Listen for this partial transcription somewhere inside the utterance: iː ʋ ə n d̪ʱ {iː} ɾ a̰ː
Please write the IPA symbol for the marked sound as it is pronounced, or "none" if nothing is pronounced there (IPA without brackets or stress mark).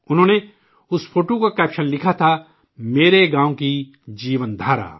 aː